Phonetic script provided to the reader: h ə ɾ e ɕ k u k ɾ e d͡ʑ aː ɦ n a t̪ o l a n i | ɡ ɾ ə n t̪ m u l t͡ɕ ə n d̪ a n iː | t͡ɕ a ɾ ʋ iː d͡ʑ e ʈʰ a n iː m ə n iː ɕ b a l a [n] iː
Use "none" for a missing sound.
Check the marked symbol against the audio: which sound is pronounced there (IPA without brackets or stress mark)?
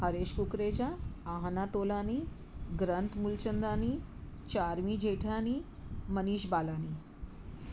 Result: n